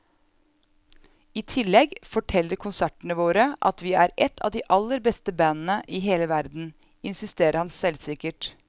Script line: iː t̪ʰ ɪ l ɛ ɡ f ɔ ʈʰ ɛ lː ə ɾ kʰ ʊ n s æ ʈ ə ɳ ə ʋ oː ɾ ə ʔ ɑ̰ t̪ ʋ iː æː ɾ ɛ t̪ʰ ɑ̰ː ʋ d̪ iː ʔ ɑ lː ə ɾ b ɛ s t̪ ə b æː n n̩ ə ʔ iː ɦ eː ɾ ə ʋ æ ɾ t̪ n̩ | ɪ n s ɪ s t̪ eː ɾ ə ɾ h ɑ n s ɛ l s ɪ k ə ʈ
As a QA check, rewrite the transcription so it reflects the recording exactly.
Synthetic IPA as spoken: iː t̪ʰ ɪ l ɛ ɡ f ɔ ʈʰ ɛ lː ə ɾ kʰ ʊ n s æ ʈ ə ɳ ə ʋ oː ɾ ə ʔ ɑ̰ t̪ ʋ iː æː ɾ ɛ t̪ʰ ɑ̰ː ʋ d̪ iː ʔ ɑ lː ə ɾ b ɛ s t̪ ə b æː n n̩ ə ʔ iː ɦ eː l ə ʋ æ ɾ d̪ n̩ | ɪ n s ɪ s t̪ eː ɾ ə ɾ h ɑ n s ɛ l s ɪ k ə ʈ